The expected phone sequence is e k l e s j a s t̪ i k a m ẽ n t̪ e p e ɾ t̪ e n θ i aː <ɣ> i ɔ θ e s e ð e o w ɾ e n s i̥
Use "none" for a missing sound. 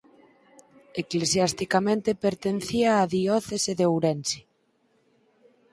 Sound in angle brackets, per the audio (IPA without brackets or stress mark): ð